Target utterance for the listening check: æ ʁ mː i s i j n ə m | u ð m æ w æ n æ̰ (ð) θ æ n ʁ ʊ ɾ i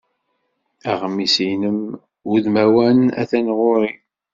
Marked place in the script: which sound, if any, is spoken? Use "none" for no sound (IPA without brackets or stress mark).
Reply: none